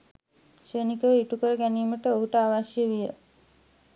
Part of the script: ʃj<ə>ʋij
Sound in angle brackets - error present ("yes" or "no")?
no